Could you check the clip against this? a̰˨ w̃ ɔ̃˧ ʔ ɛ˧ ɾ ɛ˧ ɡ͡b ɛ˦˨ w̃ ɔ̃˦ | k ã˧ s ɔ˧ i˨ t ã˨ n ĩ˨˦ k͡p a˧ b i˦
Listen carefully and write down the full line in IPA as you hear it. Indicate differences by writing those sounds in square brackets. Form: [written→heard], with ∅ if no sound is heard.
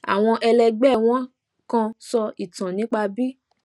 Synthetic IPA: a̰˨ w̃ ɔ̃˧ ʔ ɛ˧ [ɾ→l] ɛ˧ ɡ͡b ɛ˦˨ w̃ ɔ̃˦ | k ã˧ s ɔ˧ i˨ t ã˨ n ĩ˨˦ k͡p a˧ b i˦